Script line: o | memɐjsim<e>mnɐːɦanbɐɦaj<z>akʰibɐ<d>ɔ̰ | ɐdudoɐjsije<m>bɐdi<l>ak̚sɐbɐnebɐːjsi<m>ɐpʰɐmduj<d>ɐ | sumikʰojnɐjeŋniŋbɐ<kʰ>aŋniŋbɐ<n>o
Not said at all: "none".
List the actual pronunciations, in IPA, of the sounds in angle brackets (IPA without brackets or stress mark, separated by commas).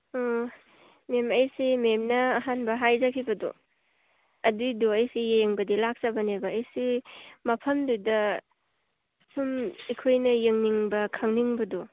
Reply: e, z, d, ŋ, l, m, d, kʰ, d